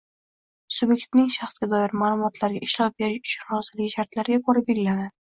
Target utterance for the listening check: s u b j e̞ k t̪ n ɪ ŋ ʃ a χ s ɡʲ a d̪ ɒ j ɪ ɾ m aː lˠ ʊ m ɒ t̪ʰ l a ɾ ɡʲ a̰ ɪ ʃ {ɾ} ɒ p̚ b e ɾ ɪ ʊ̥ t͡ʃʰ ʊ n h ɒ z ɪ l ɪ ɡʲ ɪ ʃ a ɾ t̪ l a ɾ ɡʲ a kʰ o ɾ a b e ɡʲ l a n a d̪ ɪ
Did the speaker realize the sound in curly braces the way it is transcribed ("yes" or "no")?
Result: no